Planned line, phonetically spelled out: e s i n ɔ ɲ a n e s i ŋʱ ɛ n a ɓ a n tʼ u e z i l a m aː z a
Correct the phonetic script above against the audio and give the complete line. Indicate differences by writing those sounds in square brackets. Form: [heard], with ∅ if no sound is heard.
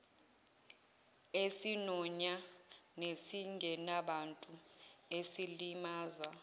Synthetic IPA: e s i n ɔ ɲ a n e s i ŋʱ ɛ n a ɓ a n tʼ u e [s] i l [i] m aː z a